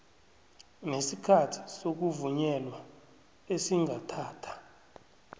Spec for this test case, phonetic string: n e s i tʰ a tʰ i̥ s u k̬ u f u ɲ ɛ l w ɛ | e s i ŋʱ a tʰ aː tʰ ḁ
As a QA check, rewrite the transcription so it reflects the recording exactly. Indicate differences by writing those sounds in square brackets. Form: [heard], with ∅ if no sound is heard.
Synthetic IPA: n e s i [kʰ] a tʰ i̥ s [o] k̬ u [v] u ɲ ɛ l w [a] | e s i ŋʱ a tʰ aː tʰ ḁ